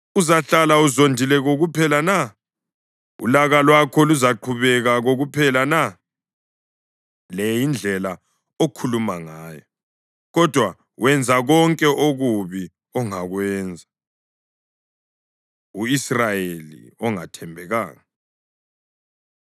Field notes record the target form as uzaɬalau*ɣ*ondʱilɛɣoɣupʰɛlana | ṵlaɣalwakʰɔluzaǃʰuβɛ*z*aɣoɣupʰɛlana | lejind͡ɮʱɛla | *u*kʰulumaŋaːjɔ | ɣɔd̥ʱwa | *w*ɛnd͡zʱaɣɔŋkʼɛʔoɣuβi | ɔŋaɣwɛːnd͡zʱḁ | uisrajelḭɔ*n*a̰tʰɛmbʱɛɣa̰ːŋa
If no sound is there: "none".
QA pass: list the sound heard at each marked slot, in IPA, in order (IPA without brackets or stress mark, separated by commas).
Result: z, ɣ, o, w, ŋ